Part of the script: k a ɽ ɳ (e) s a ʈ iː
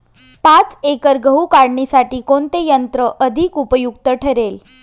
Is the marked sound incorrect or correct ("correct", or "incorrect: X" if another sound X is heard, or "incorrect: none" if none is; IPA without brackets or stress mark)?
incorrect: i